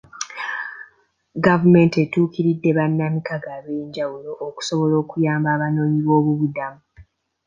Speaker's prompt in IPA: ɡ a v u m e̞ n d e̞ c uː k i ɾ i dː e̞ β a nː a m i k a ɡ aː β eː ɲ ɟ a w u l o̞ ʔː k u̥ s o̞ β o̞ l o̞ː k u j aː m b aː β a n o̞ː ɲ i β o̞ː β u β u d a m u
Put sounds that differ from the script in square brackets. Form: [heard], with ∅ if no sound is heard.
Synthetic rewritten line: ɡ a v u m e̞ n [t] e̞ [t] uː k i ɾ i dː e̞ β a nː a m i k a ɡ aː β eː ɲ ɟ a w u l o̞ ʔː k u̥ s o̞ β o̞ l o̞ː k u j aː m b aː β a n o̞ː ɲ i β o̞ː β u β u d a m u